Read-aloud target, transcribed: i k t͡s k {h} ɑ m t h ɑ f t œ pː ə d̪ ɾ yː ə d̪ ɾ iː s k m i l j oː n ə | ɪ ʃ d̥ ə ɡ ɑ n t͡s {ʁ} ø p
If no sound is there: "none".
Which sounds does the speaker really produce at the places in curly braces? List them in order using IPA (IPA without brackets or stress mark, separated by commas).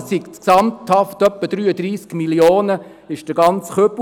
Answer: s, χ